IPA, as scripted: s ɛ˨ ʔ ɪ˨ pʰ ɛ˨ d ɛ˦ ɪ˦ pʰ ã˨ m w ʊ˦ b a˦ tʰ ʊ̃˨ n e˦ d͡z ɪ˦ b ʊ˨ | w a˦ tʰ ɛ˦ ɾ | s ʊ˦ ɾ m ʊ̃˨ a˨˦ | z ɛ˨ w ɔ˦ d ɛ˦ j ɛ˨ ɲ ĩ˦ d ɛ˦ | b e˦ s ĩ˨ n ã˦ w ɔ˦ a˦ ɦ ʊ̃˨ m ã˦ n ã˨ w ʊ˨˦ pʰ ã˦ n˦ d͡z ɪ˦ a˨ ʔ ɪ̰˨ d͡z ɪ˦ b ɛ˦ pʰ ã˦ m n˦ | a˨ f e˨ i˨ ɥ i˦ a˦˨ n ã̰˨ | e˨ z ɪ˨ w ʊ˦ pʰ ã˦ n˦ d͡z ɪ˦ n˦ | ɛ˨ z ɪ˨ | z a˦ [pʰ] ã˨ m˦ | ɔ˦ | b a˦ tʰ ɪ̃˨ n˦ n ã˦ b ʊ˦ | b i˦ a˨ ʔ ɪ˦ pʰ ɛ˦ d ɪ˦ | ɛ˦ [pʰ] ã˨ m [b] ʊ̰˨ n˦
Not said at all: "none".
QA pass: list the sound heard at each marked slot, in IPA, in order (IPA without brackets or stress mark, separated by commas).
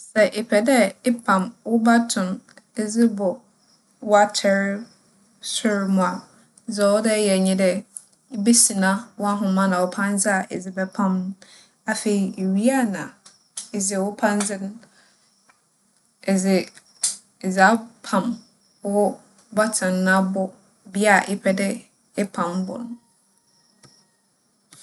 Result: pʰ, pʰ, b